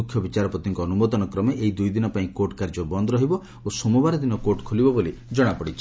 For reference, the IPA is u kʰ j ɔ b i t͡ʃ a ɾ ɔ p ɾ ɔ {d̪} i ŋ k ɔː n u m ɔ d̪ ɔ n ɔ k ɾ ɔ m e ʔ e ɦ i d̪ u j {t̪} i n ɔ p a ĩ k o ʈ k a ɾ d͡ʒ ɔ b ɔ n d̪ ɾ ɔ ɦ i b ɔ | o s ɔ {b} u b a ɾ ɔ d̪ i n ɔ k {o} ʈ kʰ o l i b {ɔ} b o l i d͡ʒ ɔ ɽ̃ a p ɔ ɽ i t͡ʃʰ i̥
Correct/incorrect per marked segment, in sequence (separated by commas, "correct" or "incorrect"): incorrect, incorrect, incorrect, correct, correct